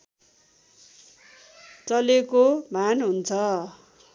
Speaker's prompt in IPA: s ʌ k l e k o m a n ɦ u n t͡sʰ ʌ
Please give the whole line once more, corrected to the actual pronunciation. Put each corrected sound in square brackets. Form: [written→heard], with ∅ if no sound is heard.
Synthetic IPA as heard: [s→t͡s] ʌ [k→∅] l e k o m a n ɦ u n t͡sʰ ʌ